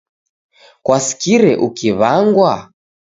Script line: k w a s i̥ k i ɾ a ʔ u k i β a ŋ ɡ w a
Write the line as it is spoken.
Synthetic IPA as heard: k w a s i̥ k i ɾ ɛ ʔ u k i β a ŋ ɡ w a

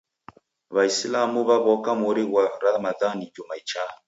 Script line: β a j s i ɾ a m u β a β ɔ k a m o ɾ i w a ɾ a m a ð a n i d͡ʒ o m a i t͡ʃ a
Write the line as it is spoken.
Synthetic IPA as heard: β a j s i l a m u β a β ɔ k a m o ɾ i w a ɾ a m a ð a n i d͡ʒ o m a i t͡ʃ a

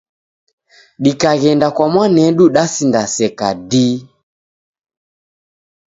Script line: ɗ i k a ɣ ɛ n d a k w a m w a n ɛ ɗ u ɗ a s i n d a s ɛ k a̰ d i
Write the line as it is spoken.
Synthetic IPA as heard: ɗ i k a ɣ ɛ n d a k w a m w a n ɛ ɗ u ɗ a s i n d a s ɛ k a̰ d i

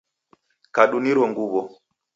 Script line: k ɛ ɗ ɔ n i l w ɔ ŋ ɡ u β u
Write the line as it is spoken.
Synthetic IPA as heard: k a ɗ u n i ɾ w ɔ ŋ ɡ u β ɔ

